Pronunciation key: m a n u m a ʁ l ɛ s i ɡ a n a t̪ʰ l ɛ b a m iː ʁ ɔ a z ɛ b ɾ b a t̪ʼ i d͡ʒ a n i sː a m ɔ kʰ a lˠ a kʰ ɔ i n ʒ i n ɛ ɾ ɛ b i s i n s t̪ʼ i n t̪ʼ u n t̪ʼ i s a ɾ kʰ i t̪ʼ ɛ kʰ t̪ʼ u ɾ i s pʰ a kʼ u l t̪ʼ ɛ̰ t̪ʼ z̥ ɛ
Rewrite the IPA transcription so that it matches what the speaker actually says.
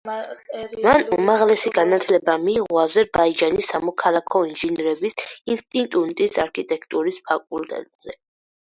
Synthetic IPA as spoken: m a n u m a ʁ l ɛ s i ɡ a n a t̪ʰ l ɛ b a m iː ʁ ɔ a z ɛ ɾ b a i d͡ʒ a n i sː a m ɔ kʰ a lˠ a kʰ ɔ i n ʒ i n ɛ ɾ ɛ b i s i n s t̪ʼ i n t̪ʼ u n t̪ʼ i s a ɾ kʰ i t̪ʼ ɛ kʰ t̪ʼ u ɾ i s pʰ a kʼ u l t̪ʼ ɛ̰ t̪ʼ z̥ ɛ

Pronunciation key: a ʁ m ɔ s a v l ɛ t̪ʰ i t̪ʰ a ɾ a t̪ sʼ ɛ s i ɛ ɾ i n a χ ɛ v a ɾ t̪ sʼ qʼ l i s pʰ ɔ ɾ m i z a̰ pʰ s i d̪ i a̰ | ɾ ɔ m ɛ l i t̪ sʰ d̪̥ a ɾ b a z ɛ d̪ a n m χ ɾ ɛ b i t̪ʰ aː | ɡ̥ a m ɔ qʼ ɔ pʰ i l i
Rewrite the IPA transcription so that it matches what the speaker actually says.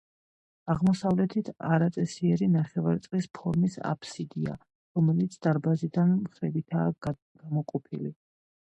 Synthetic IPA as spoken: a ʁ m ɔ s a v l ɛ t̪ʰ i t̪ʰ a ɾ a t̪ sʼ ɛ s i ɛ ɾ i n a χ ɛ v a ɾ t̪ sʼ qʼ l i s pʰ ɔ ɾ m i s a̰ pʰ s i d̪ i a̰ | ɾ ɔ m ɛ l i t̪ sʰ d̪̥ a ɾ b a z i d̪ a n m χ ɾ ɛ b i t̪ʰ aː | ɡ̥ a m ɔ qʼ ɔ pʰ i l i

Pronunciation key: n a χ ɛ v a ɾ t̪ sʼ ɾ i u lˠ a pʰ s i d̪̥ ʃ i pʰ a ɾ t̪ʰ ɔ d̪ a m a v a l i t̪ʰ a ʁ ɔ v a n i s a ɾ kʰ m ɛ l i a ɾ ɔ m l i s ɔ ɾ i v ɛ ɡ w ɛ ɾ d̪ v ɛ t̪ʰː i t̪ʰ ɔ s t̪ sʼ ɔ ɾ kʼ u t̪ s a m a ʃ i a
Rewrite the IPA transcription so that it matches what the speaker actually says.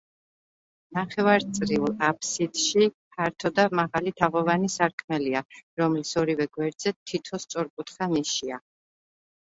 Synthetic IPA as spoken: n a χ ɛ v a ɾ t̪ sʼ ɾ i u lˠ a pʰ s i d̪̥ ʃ i pʰ a ɾ t̪ʰ ɔ d̪ a m a ʁ a l i t̪ʰ a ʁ ɔ v a n i s a ɾ kʰ m ɛ l i a ɾ ɔ m l i s ɔ ɾ i v ɛ ɡ w ɛ ɾ d̪ z ɛ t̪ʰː i t̪ʰ ɔ s t̪ sʼ ɔ ɾ kʼ u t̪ χ a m i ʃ i a

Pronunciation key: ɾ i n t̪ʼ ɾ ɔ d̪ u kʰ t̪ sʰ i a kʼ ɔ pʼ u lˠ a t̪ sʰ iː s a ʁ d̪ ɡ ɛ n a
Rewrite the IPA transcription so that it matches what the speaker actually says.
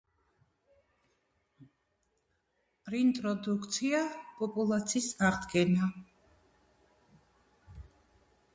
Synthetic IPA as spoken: ɾ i n t̪ʼ ɾ ɔ d̪ u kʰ t̪ sʰ i a pʼ ɔ pʼ u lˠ a t̪ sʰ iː s a ʁ d̪ ɡ ɛ n a

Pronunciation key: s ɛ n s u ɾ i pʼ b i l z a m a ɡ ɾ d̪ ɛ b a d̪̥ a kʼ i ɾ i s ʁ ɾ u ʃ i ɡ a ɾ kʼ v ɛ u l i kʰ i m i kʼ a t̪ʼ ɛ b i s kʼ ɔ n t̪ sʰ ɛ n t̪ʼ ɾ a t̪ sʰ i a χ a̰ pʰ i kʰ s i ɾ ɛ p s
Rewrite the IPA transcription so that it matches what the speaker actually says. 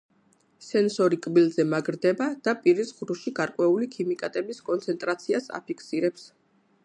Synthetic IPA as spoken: s ɛ n s ɔ ɾ i kʼ b i l z ɛ m a ɡ ɾ d̪ ɛ b a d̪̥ a pʼ i ɾ i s ʁ ɾ u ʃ i ɡ a ɾ kʼ w ɛ u l i kʰ i m i kʼ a t̪ʼ ɛ b i s kʼ ɔ n t̪ sʰ ɛ n t̪ʼ ɾ a t̪ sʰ i a s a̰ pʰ i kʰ s i ɾ ɛ p s

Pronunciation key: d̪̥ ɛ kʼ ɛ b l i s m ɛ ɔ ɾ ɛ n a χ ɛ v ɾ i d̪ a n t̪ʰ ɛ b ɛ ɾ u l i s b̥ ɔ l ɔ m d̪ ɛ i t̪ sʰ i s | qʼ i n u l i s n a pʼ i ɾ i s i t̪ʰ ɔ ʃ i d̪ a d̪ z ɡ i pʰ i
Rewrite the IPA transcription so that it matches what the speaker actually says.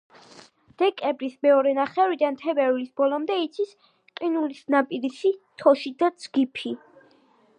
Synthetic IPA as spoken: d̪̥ ɛ kʼ ɛ b ɾ i s m ɛ ɔ ɾ ɛ n a χ ɛ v ɾ i d̪ a n t̪ʰ ɛ b ɛ ɾ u l i s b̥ ɔ l ɔ m d̪ ɛ i t̪ sʰ i s | qʼ i n u l i s n a pʼ i ɾ i s i t̪ʰ ɔ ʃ i d̪ a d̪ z ɡ i pʰ i

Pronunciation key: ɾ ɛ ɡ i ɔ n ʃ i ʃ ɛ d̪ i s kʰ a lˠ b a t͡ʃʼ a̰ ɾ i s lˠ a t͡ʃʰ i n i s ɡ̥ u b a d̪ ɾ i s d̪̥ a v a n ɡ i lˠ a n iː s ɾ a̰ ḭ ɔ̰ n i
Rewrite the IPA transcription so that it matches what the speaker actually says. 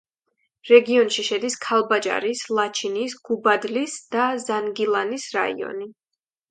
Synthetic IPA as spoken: ɾ ɛ ɡ i ɔ n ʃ i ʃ ɛ d̪ i s kʰ a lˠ b a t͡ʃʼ a̰ ɾ i s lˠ a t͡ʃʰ i n i s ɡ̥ u b a d̪ l i s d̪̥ a z a n ɡ i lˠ a n i s ɾ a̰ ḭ ɔ̰ n i

